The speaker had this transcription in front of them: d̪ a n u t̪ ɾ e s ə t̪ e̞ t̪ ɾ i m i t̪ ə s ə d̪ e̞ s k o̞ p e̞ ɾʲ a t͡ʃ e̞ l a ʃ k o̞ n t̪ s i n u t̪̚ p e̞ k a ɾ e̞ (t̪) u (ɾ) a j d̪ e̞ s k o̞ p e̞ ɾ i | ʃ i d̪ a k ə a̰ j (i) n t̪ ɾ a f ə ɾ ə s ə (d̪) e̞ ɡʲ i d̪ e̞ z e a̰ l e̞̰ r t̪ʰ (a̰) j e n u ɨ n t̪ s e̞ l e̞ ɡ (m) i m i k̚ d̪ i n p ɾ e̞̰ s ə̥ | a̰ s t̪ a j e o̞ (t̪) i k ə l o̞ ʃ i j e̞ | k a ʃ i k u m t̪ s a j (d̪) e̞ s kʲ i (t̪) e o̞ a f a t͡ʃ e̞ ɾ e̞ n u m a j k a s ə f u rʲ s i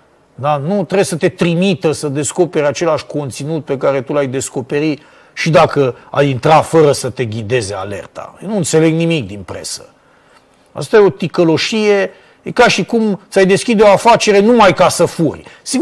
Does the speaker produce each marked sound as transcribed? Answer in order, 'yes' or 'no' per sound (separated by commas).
yes, no, yes, no, yes, no, yes, yes, no